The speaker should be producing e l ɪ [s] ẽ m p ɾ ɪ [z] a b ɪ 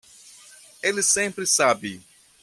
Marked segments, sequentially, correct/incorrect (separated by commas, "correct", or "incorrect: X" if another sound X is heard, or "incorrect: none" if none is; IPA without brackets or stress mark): correct, incorrect: s